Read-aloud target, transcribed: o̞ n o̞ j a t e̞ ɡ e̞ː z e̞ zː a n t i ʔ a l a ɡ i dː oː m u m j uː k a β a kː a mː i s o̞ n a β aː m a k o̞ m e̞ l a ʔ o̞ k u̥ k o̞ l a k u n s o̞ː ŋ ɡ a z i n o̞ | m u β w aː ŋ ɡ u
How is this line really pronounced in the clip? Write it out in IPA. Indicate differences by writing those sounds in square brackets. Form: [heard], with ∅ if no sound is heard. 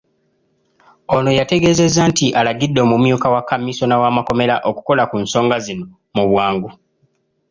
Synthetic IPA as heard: o̞ n o̞ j a t e̞ ɡ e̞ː z e̞ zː a n t i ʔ a l a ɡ i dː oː m u m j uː k a [w] a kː a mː i s o̞ n a [w] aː m a k o̞ m e̞ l a ʔ o̞ k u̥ k o̞ l a k u n s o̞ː ŋ ɡ a z i n o̞ | m u β w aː ŋ ɡ u